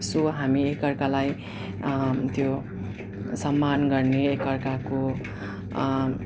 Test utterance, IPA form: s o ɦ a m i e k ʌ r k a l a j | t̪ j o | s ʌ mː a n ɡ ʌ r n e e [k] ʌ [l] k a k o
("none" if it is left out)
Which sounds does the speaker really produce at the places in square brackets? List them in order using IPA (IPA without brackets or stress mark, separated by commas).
k, r